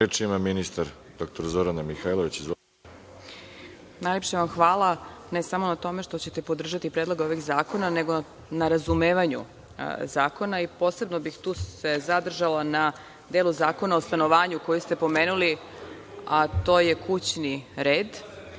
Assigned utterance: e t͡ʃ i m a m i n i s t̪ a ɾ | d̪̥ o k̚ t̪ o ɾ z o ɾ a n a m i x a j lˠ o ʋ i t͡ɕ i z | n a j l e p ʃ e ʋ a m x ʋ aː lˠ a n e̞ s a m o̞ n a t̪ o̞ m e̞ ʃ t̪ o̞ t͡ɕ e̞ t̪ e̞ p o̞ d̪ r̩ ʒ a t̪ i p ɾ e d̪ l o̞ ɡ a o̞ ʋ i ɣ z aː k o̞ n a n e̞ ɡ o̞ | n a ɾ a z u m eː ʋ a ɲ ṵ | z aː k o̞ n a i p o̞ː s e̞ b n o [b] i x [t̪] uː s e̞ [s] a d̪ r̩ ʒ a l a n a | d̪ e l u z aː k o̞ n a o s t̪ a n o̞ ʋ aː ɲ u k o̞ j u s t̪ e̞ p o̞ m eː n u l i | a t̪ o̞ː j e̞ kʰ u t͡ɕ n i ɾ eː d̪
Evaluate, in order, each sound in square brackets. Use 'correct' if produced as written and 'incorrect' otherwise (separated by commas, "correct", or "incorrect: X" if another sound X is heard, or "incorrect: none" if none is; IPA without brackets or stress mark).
correct, correct, incorrect: z